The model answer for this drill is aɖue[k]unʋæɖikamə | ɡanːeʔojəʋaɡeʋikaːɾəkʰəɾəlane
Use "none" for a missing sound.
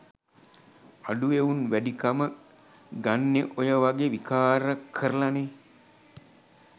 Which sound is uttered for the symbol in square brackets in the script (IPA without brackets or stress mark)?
none